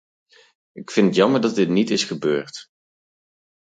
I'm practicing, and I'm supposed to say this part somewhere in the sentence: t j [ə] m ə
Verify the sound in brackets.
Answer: incorrect: ɑ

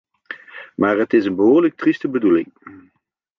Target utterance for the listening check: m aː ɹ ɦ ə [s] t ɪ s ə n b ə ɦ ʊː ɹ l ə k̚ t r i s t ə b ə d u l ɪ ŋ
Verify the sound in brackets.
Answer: incorrect: none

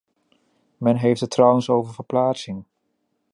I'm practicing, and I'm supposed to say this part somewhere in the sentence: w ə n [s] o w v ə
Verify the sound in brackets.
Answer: correct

